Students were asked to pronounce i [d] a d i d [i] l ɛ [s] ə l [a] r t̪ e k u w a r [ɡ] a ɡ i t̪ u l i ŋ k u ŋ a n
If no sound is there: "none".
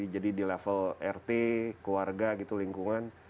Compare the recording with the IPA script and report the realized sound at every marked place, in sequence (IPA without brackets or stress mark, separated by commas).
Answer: d͡ʒ, i, f, ɛ, ɡ